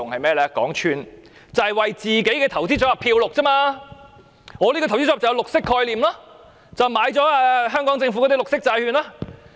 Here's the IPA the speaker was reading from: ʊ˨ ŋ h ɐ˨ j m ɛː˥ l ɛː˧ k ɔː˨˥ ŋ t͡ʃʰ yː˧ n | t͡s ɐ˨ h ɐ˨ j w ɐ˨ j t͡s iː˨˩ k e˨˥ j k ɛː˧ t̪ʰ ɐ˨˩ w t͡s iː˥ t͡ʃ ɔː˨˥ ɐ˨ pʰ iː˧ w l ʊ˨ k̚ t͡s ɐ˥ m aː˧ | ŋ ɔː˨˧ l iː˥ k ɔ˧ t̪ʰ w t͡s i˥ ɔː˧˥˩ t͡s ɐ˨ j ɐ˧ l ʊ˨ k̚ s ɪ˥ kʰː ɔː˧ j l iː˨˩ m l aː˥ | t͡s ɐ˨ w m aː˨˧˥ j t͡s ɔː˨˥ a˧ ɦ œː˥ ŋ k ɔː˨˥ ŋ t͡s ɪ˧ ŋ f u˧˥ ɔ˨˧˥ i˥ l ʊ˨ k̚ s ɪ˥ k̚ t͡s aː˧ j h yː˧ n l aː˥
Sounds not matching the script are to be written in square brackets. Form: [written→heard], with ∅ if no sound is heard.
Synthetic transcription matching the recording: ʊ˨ ŋ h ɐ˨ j m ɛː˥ l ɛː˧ k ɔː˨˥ ŋ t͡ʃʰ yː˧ n | t͡s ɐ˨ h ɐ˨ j w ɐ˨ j t͡s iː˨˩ k e˨˥ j k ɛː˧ t̪ʰ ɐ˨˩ w t͡s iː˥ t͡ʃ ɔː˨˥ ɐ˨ pʰ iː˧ w l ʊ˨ k̚ t͡s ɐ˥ m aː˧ | ŋ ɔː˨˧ l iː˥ k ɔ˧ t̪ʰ w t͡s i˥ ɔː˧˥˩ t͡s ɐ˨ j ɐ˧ l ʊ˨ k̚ s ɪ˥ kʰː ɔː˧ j l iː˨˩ m l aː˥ | t͡s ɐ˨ w m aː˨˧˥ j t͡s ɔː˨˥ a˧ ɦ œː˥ ŋ k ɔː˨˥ ŋ t͡s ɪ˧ ŋ f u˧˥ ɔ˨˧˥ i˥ l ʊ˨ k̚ s ɪ˥ k̚ t͡s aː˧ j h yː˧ n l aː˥